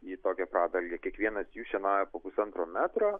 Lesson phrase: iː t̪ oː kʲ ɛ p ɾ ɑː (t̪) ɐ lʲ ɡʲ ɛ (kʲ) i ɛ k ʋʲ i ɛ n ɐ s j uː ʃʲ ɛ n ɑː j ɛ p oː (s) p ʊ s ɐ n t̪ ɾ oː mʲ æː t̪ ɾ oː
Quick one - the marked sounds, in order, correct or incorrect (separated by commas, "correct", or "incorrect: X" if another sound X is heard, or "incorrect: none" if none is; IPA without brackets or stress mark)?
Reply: incorrect: d̪, correct, incorrect: none